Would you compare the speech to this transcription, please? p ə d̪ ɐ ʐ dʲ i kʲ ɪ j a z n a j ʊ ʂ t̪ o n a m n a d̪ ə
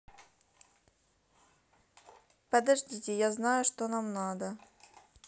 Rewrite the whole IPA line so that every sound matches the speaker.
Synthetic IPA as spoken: p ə d̪ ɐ ʐ dʲ i tʲ ɪ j a z n a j ʊ ʂ t̪ o n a m n a d̪ ə